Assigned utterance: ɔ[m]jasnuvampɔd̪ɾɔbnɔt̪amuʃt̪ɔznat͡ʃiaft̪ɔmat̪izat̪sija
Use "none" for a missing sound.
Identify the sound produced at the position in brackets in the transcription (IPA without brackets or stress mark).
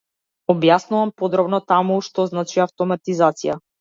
b